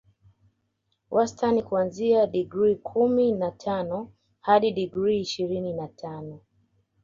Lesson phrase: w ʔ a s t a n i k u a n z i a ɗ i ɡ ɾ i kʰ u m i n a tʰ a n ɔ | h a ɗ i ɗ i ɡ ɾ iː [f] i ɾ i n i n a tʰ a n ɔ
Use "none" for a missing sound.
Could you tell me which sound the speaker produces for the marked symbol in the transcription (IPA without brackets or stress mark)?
ʃ